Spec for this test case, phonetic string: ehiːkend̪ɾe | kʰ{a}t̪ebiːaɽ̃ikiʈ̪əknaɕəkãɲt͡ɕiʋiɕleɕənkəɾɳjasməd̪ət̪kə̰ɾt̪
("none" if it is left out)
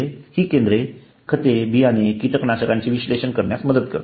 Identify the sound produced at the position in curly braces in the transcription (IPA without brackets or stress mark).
ə